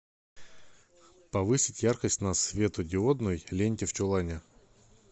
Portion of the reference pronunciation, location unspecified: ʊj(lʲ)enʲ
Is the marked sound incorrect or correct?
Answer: correct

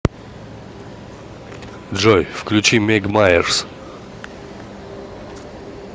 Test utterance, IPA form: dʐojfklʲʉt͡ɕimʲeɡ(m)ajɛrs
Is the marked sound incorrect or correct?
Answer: correct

